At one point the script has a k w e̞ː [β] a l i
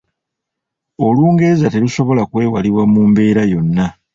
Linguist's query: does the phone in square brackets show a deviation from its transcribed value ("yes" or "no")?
yes